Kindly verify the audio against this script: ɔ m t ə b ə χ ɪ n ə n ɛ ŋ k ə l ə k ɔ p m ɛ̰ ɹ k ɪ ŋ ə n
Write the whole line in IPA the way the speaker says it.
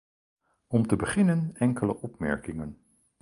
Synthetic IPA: ɔ m t ə b ə χ ɪ n ə n ɛ ŋ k ə l ə ʔ ɔ p m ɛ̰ ɹ k ɪ ŋ ə n